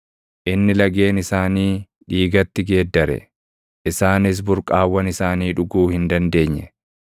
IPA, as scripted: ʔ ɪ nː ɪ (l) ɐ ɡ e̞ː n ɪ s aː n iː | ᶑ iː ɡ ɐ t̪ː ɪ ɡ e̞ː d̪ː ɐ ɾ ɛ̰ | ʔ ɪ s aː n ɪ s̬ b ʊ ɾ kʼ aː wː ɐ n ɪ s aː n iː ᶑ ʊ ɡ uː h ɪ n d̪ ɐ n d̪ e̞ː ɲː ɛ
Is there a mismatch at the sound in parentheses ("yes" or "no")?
no